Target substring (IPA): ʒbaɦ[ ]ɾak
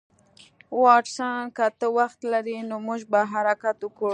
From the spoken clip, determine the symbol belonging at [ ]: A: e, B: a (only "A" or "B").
B